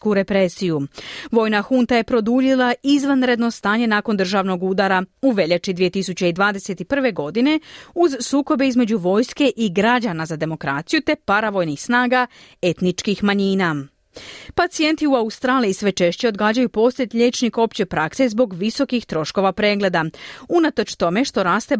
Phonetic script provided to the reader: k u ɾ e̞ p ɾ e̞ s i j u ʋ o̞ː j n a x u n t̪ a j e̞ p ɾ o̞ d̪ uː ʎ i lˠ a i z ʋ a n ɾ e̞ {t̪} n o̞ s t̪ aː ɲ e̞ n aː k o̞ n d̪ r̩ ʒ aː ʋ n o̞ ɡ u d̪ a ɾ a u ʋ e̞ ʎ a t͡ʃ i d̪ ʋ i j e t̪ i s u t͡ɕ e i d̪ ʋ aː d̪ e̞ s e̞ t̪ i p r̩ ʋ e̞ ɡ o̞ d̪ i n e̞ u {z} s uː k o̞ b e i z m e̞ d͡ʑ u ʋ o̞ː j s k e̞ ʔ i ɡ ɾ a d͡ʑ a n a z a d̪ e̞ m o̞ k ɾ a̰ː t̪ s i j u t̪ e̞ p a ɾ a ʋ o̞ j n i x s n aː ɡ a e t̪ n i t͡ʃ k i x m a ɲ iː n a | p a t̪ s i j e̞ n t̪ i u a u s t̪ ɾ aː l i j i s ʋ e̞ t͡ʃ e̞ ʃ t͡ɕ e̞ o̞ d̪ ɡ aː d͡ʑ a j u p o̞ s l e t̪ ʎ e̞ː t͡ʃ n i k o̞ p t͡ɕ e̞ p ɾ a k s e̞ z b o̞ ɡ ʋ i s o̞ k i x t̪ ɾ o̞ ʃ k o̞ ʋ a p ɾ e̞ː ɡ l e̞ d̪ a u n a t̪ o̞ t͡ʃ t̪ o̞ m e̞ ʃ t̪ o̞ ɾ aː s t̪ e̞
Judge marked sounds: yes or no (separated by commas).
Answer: no, yes